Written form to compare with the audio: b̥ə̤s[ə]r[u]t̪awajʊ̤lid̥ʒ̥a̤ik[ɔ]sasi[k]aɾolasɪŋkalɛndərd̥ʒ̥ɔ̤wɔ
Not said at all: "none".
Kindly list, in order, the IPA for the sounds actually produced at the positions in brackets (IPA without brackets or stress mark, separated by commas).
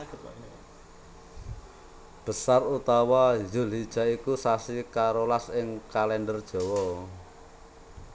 a, u, u, k